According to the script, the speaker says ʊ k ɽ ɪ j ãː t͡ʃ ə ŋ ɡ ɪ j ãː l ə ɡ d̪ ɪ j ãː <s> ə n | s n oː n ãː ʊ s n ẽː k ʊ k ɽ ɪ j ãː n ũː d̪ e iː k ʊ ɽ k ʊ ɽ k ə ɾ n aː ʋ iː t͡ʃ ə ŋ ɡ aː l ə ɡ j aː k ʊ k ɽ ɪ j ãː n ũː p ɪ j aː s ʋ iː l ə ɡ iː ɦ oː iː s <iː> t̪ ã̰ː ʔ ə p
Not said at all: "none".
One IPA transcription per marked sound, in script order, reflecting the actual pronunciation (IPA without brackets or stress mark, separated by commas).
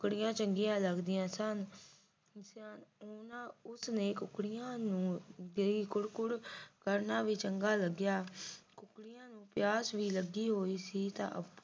s, iː